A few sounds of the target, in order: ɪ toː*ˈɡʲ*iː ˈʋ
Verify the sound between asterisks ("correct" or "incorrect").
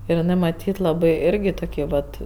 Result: incorrect